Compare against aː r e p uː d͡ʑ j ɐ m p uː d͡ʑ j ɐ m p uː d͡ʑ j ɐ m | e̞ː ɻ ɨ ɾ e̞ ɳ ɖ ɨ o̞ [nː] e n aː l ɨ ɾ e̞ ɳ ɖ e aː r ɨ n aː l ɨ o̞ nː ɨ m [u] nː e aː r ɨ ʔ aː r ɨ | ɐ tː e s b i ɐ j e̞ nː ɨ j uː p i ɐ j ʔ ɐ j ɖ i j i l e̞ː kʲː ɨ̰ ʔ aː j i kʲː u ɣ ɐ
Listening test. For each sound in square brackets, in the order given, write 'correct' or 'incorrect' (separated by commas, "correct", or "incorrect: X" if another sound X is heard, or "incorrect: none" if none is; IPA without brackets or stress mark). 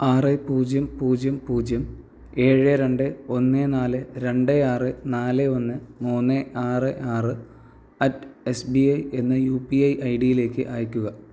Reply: correct, incorrect: uː